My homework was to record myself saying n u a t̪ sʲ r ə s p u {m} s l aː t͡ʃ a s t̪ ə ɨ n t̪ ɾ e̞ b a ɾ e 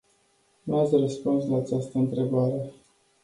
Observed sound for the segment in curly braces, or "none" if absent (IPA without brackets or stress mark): n